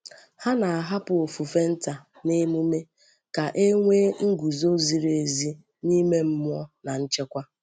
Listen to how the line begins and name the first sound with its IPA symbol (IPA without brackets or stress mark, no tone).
h